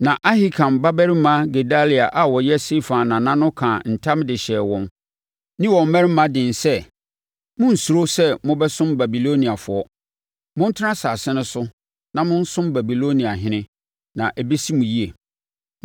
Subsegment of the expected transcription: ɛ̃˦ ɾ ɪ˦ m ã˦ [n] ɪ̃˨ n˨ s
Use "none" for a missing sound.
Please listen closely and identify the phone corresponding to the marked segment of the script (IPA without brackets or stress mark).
d